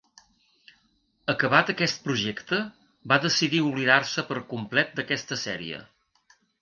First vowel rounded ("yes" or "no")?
no